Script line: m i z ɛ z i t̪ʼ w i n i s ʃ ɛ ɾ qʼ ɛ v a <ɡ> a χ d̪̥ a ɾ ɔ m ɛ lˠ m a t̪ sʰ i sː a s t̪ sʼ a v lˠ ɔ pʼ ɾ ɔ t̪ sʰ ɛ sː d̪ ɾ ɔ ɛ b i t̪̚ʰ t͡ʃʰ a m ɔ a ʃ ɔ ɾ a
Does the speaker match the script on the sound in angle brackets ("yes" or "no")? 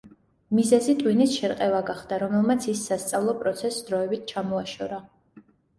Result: yes